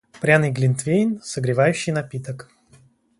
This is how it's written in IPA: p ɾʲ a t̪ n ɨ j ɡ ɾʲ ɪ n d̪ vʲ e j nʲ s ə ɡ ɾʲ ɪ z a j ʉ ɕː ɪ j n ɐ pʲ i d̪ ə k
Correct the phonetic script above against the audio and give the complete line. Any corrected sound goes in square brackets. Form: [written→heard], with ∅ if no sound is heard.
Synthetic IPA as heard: p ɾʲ a [t̪→∅] n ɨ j ɡ [ɾʲ→lʲ] ɪ n [d̪→t̪] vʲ e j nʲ s ə ɡ ɾʲ ɪ [z→v] a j ʉ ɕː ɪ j n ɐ pʲ i [d̪→t̪] ə k